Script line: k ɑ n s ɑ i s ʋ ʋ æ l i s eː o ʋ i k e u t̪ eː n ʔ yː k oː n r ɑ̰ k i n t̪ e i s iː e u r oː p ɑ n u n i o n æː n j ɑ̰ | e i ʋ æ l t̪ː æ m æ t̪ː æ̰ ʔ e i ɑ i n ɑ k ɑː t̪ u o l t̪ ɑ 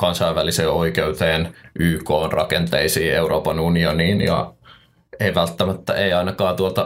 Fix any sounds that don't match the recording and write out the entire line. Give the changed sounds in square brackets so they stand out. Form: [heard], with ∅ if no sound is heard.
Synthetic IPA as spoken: k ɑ n s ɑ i [∅] ʋ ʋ æ l i s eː o [∅] i k e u t̪ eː n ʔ yː k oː n r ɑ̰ k [e] n t̪ e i s iː e u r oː p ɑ n u n i o n [iː] n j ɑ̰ | e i ʋ æ l t̪ː æ m æ t̪ː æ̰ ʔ e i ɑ i n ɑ k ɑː t̪ u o l t̪ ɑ